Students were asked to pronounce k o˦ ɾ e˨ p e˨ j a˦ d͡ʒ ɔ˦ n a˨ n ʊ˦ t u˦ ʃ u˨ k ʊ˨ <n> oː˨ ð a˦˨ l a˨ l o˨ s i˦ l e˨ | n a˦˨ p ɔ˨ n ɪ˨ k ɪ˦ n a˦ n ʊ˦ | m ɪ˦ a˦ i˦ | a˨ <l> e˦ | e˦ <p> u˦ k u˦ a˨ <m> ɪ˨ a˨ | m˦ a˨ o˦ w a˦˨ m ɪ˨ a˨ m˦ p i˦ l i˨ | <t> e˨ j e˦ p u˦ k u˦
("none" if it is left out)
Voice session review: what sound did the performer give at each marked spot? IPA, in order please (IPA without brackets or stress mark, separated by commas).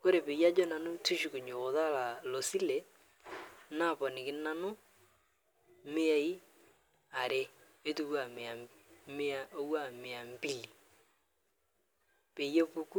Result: ɲ, ɾ, t, m, p